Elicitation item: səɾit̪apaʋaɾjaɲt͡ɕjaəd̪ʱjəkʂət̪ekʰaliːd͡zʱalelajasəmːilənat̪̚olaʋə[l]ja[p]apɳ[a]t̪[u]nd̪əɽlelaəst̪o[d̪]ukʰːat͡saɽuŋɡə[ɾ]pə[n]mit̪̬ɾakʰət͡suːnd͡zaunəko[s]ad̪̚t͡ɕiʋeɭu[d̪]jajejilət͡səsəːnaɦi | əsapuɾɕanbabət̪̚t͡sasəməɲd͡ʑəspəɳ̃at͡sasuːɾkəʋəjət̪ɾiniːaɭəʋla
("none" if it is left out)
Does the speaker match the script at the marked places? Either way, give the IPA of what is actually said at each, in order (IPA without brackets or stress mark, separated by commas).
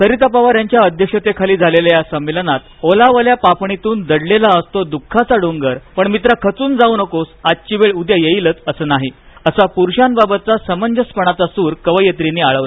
l, p, i, uː, d̪, ɾ, ɳ, s, d̪